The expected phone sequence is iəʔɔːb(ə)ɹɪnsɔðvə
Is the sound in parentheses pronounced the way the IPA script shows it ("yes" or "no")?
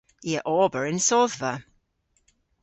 yes